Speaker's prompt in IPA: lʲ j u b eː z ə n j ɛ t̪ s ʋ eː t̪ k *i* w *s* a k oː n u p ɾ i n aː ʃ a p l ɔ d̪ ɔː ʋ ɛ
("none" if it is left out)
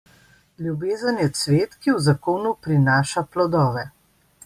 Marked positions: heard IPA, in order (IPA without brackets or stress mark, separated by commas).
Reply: i, z